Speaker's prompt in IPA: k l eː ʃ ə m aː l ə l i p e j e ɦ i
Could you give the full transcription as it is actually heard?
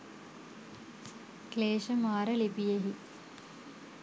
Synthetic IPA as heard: k l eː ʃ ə m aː ɾ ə l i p i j e ɦ i